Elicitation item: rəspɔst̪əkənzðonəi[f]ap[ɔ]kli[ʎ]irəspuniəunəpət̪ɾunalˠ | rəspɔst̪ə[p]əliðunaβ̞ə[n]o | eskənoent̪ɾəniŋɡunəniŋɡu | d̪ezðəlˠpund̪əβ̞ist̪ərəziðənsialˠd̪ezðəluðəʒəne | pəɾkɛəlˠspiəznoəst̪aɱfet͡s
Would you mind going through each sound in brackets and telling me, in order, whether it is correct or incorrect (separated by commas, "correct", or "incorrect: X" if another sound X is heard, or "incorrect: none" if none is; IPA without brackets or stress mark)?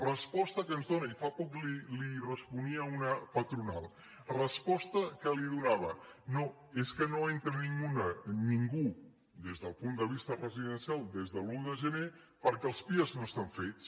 correct, correct, incorrect: l, incorrect: k, correct